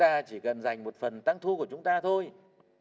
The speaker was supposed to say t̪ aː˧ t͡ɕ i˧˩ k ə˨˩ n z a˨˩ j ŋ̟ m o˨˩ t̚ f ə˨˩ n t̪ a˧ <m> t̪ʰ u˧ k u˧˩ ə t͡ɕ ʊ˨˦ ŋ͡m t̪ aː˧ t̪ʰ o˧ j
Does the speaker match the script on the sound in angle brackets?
no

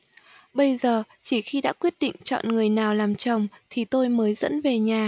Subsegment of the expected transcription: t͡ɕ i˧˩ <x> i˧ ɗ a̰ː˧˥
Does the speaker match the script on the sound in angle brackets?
yes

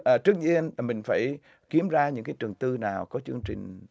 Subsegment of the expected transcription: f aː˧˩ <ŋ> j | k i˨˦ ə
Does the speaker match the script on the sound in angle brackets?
no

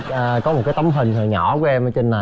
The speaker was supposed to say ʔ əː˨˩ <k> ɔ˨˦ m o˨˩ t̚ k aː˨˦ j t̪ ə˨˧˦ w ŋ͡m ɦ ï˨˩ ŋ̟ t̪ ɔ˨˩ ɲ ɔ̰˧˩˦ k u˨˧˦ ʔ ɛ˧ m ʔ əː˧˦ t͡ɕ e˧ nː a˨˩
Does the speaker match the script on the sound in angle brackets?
yes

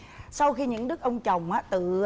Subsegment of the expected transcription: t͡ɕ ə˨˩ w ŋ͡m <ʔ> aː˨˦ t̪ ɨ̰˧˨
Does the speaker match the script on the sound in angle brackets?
yes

